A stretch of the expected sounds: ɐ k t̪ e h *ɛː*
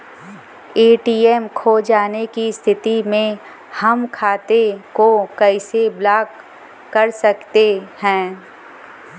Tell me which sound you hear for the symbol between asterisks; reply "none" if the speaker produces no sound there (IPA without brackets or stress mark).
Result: ɛ̃ː